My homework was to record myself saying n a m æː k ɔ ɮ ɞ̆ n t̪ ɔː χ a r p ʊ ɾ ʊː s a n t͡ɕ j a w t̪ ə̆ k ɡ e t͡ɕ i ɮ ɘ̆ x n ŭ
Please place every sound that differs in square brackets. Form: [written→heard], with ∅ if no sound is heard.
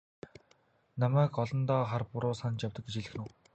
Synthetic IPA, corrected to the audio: n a m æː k ɔ ɮ ɞ̆ n t̪ ɔː χ a r p ʊ ɾ ʊː s a n t͡ɕ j a w t̪ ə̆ k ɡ e t͡ɕ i ɮ ɘ̆ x n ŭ